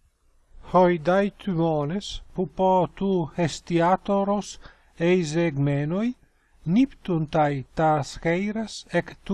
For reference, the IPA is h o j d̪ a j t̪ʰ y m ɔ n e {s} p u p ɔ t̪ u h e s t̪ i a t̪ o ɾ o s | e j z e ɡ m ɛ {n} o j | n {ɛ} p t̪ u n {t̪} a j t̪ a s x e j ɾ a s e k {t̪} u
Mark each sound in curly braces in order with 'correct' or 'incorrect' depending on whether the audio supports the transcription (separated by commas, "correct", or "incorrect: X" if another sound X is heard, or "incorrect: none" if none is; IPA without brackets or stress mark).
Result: correct, correct, incorrect: i, correct, correct